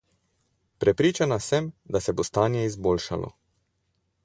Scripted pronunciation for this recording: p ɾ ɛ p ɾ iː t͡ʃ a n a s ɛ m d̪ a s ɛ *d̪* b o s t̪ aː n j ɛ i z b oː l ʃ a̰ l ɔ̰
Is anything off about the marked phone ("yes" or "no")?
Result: yes